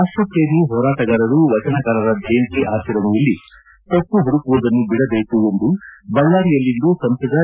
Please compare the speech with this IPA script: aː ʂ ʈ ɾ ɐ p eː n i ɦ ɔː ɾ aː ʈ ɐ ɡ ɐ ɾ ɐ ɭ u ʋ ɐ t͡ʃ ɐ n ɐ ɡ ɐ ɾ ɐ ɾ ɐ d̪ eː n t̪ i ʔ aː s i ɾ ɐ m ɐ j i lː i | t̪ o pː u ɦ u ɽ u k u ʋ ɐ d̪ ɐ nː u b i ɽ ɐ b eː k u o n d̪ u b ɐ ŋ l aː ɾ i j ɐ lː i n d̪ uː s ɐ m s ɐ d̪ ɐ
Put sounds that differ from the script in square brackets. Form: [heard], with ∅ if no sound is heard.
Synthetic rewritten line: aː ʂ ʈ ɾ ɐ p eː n i ɦ ɔː ɾ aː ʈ ɐ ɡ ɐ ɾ ɐ [ɾ] u ʋ ɐ t͡ʃ ɐ n ɐ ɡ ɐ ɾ ɐ ɾ ɐ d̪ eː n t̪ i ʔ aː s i ɾ ɐ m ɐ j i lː i | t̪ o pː u ɦ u ɽ u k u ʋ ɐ d̪ ɐ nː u b i ɽ ɐ b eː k u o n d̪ u b ɐ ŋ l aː ɾ i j ɐ lː i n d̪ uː s ɐ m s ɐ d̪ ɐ

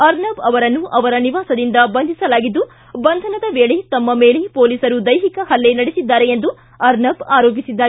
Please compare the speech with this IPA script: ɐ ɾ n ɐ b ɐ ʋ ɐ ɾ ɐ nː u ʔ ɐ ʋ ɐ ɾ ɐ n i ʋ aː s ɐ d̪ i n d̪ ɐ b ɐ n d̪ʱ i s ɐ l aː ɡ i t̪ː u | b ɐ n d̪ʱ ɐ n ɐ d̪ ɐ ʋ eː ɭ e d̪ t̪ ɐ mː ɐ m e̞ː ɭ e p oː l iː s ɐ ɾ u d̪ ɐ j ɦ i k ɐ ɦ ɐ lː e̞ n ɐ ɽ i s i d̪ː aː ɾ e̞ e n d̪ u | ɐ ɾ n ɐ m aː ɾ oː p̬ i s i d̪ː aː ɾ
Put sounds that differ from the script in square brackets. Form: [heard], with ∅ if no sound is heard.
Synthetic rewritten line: ɐ ɾ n ɐ b ɐ ʋ ɐ ɾ ɐ nː u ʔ ɐ ʋ ɐ ɾ ɐ n i ʋ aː s ɐ d̪ i n d̪ ɐ b ɐ n d̪ʱ i s ɐ l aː ɡ i [d̪ː] u | b ɐ n d̪ʱ ɐ n ɐ d̪ ɐ ʋ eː ɭ e [∅] t̪ ɐ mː ɐ m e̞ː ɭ e p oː l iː s ɐ ɾ u d̪ ɐ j ɦ i k ɐ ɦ ɐ lː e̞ n ɐ ɽ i s i d̪ː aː ɾ e̞ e n d̪ u | ɐ ɾ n ɐ [b] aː ɾ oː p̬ i s i d̪ː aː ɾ

